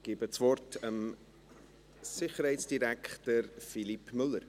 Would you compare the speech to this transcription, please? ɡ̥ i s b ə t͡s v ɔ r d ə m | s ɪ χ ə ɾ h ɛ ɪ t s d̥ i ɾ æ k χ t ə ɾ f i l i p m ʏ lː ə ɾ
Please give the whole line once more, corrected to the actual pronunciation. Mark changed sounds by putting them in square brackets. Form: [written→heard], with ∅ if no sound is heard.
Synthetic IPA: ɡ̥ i [s→∅] b ə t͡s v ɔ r [d→t] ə m | s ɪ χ ə ɾ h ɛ ɪ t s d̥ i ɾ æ k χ t ə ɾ f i l i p m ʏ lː ə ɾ